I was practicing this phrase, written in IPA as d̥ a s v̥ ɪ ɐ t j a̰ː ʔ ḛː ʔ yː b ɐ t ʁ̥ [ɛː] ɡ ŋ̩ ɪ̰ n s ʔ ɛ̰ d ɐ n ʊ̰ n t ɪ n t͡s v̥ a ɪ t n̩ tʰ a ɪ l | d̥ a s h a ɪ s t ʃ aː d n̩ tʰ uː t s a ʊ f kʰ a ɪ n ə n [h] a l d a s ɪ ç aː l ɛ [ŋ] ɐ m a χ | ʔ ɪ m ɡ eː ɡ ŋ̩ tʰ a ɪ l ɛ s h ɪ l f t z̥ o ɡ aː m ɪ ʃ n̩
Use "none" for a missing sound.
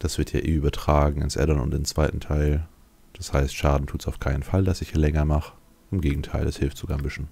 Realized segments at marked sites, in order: aː, f, ŋ

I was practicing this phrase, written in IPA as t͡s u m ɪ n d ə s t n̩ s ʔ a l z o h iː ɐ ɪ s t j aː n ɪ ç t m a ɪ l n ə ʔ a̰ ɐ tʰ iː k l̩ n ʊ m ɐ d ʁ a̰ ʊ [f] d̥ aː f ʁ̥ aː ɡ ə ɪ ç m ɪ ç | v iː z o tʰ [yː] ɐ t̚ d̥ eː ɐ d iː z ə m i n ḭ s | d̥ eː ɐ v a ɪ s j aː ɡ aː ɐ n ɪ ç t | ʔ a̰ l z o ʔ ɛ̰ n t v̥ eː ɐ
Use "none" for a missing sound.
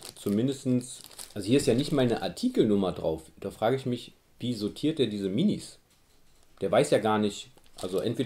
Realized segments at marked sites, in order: f, iː

